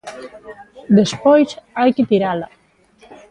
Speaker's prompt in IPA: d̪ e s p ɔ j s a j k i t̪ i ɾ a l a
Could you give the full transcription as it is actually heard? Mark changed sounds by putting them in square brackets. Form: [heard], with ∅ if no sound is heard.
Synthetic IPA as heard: d̪ e s p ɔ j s a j k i t̪ i ɾ a l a